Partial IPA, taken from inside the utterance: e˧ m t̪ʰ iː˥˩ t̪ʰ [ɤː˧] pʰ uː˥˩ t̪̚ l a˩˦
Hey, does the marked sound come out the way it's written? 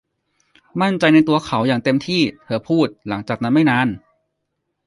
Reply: no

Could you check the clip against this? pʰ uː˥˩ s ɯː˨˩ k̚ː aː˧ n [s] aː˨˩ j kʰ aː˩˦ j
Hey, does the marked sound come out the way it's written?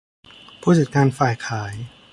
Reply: no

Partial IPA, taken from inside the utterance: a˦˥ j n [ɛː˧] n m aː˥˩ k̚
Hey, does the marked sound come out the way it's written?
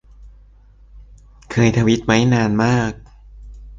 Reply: no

